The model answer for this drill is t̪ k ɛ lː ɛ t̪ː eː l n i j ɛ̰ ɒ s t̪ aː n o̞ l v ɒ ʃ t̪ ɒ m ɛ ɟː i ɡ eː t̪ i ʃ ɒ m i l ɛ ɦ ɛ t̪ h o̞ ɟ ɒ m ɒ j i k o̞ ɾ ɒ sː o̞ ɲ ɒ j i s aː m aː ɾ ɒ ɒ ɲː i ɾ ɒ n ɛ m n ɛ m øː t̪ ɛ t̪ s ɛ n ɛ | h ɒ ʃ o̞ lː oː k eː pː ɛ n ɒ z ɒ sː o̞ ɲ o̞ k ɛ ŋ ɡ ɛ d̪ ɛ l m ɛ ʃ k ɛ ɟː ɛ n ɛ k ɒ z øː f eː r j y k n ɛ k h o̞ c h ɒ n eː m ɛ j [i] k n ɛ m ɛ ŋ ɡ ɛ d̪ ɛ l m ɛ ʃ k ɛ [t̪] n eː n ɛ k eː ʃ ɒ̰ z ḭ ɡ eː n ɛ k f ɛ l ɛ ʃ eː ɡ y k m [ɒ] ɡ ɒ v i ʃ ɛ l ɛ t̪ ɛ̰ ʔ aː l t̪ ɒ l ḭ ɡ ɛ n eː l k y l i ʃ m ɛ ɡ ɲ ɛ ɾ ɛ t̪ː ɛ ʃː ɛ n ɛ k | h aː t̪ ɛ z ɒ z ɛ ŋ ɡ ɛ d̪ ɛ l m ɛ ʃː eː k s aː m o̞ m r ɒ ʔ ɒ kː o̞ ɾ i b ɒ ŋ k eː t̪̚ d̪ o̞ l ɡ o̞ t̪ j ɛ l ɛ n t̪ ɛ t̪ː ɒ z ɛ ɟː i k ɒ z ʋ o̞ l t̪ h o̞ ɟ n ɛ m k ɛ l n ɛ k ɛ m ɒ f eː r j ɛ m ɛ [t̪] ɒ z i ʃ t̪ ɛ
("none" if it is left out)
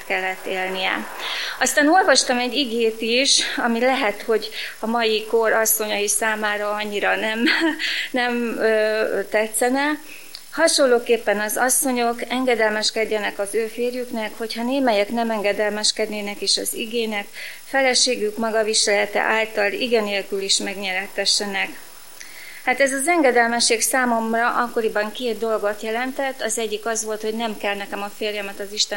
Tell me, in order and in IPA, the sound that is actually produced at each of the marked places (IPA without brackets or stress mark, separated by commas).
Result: ɛ, d̪, ɒ, t̪